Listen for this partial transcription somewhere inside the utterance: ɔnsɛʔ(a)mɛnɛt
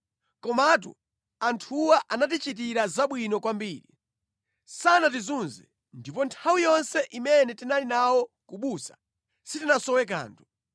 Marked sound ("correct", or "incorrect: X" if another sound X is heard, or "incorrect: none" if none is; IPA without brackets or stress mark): incorrect: i